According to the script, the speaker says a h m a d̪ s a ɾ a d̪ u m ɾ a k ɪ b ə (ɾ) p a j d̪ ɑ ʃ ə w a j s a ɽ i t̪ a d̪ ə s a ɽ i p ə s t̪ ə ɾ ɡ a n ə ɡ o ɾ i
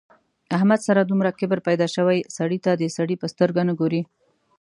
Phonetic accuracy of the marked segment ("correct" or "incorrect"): correct